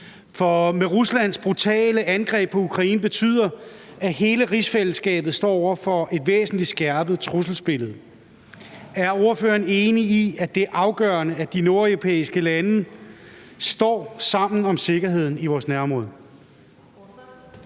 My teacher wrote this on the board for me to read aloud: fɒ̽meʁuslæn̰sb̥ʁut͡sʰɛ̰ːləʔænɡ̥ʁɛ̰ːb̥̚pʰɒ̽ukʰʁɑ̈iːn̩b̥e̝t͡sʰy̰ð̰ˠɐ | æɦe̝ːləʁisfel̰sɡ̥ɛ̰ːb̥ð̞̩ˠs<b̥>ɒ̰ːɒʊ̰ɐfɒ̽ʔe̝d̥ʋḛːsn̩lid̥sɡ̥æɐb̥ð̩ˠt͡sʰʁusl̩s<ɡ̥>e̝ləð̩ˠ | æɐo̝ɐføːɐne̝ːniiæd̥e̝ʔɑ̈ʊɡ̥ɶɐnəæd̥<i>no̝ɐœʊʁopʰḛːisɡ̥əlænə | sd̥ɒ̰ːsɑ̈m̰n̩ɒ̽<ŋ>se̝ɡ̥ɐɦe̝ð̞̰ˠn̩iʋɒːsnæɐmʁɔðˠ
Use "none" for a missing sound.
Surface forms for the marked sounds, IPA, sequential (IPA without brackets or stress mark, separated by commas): d̥, b̥, i, m